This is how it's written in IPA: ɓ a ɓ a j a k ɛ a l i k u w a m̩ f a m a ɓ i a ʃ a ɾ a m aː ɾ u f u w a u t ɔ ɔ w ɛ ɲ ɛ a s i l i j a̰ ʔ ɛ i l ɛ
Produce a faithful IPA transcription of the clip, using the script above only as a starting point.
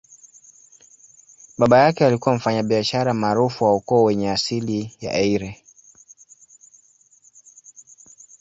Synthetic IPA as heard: ɓ a ɓ a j a k ɛ a l i k u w a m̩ f a ɲ a ɓ i a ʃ a ɾ a m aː ɾ u f u w a u k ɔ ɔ w ɛ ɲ ɛ a s i l i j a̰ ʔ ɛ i ɾ ɛ